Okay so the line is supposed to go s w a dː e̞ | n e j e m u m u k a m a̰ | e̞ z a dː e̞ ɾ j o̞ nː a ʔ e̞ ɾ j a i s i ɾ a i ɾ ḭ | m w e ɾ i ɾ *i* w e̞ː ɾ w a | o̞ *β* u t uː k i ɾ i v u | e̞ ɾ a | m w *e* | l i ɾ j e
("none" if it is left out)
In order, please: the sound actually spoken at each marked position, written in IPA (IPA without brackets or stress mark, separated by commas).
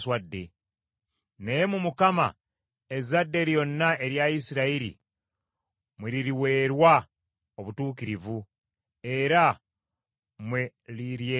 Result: i, β, e